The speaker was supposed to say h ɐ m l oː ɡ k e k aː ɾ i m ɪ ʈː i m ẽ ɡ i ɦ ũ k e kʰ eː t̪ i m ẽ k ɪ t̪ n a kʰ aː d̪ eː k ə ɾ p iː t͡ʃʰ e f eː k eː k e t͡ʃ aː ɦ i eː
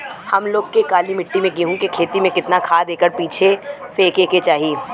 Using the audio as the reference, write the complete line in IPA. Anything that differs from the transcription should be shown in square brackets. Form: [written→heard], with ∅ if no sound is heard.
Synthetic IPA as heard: h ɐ m l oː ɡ k e k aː [ɾ→l] i m ɪ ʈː i m ẽ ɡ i ɦ ũ k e kʰ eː t̪ i m ẽ k ɪ t̪ n a kʰ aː d̪ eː k ə ɾ p iː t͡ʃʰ e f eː k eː k e t͡ʃ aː ɦ i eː

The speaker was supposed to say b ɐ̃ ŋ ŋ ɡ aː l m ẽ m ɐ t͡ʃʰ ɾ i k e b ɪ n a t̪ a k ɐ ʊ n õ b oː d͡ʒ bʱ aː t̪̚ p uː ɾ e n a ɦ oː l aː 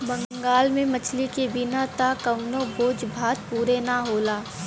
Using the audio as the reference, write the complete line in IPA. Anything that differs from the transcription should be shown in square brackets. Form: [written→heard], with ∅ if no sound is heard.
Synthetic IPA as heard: b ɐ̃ ŋ ŋ ɡ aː l m ẽ m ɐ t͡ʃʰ [ɾ→l] i k e b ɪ n a t̪ a k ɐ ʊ n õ b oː d͡ʒ bʱ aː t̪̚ p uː ɾ e n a ɦ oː l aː

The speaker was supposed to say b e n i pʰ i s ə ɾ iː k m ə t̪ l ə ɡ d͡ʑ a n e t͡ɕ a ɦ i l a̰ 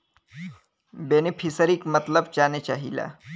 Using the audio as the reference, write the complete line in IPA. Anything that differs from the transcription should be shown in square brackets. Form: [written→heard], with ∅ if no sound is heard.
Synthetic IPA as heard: b e n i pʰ i s ə ɾ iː k m ə t̪ l ə [ɡ→b] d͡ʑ a n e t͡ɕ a ɦ i l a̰

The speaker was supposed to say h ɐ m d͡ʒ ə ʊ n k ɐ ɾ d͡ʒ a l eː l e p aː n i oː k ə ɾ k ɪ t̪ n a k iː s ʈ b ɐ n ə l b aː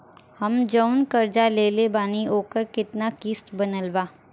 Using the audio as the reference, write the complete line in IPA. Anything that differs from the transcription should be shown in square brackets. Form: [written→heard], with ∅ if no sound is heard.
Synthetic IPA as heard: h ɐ m d͡ʒ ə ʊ n k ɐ ɾ d͡ʒ a l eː l e [p→b] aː n i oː k ə ɾ k ɪ t̪ n a k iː s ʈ b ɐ n ə l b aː

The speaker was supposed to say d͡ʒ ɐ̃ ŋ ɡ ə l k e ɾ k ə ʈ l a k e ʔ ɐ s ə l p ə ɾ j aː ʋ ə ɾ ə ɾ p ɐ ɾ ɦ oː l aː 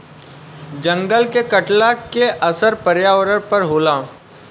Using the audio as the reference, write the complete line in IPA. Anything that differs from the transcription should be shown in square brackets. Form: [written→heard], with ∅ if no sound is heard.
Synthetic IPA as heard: d͡ʒ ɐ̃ ŋ ɡ ə l k e [ɾ→∅] k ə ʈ l a k e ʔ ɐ s ə [l→ɾ] p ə ɾ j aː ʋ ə ɾ ə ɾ p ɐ ɾ ɦ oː l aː

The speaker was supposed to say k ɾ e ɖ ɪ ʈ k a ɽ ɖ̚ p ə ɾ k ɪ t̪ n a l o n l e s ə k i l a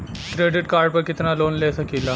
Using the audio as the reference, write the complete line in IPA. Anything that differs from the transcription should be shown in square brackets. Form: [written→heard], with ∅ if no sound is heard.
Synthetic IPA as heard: k ɾ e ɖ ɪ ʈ k a [ɽ→ɾ] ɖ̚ p ə ɾ k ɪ t̪ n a l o n l e s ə k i l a

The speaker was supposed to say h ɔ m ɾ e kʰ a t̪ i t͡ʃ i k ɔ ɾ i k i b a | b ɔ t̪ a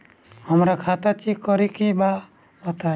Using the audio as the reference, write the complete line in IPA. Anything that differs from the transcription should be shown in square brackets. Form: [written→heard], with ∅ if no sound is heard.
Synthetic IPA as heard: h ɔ m ɾ [e→a] kʰ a t̪ [i→a] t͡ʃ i k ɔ ɾ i k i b a | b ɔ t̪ a

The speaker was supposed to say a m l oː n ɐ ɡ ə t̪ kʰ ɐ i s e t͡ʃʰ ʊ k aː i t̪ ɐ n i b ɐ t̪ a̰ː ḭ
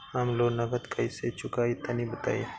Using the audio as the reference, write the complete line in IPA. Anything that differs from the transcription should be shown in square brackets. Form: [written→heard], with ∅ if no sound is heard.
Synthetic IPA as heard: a m l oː n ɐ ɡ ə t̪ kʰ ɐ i s e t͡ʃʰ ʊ k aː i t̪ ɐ n i b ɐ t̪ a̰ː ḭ

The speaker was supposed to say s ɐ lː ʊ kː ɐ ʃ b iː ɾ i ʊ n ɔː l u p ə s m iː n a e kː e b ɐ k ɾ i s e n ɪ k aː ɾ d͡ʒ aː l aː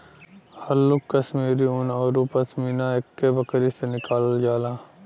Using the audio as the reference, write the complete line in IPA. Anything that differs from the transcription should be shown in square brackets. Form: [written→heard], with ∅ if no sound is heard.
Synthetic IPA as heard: [s→h] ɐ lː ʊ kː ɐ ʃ [b→m] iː ɾ i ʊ n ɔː [l→ɾ] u p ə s m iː n a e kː e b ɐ k ɾ i s e n ɪ k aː [ɾ→l] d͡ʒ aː l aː

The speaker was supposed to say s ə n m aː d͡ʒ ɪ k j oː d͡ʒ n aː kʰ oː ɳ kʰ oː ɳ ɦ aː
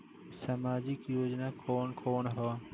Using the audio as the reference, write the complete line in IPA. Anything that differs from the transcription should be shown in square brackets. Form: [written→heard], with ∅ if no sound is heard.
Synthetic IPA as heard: s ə [n→∅] m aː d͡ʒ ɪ k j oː d͡ʒ n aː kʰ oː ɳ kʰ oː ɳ ɦ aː

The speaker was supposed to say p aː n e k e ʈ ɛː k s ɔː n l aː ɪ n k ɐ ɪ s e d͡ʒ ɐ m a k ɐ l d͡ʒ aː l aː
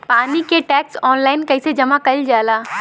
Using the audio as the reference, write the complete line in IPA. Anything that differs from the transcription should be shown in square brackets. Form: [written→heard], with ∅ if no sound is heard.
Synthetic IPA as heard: p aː n [e→i] k e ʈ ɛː k s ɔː n l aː ɪ n k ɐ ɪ s e d͡ʒ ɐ m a k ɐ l d͡ʒ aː l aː

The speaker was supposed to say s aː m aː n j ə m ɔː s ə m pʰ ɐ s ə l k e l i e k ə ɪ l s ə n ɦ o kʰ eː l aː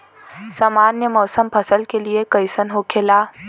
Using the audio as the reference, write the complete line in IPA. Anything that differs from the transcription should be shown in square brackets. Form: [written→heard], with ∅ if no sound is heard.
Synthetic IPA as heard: s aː m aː n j ə m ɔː s ə m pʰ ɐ s ə l k e l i e k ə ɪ [l→∅] s ə n ɦ o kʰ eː l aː

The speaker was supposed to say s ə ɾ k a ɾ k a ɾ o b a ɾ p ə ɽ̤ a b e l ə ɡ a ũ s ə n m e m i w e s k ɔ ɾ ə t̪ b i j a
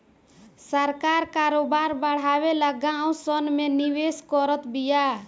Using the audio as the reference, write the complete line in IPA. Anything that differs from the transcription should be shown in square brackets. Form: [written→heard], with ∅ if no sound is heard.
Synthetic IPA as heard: s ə ɾ k a ɾ k a ɾ o b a ɾ [p→b] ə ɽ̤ a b e l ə ɡ a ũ s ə n m e [m→n] i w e s k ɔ ɾ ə t̪ b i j a

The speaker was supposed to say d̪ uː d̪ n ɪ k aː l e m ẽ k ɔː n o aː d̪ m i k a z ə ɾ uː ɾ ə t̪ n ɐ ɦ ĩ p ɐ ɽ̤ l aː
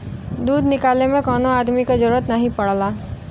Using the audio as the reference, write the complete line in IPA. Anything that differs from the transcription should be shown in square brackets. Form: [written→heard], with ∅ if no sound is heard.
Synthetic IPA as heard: d̪ uː d̪ n ɪ k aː l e m ẽ k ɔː n o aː d̪ m i k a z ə ɾ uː ɾ ə t̪ n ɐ ɦ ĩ p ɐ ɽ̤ l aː

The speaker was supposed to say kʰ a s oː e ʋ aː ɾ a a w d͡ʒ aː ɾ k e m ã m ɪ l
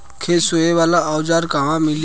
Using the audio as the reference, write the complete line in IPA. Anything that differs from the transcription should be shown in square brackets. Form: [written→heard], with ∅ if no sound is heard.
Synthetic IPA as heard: kʰ [a→e] s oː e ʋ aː [ɾ→l] a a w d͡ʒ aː ɾ k [e→a] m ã m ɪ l

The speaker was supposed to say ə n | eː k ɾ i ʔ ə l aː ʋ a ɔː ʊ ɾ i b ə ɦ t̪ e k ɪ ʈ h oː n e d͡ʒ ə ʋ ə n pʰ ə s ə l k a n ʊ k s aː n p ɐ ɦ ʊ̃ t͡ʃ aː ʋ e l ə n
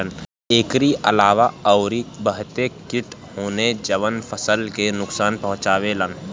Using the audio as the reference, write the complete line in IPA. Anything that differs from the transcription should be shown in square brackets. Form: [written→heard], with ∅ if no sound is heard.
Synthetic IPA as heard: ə n | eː k ɾ i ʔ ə l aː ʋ a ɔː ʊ ɾ i b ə ɦ t̪ e k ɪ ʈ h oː n e d͡ʒ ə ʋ ə n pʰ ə s ə l k [a→e] n ʊ k s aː n p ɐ ɦ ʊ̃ t͡ʃ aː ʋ e l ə n

